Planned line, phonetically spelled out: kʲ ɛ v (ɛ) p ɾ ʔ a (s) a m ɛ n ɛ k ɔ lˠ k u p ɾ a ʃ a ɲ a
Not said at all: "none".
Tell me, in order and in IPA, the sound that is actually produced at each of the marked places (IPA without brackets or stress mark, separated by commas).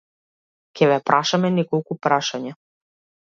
ɛ, ʃ